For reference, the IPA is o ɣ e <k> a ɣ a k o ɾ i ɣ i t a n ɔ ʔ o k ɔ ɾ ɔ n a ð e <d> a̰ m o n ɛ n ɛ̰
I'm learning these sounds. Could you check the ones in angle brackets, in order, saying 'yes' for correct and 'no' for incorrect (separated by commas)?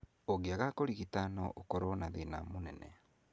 no, no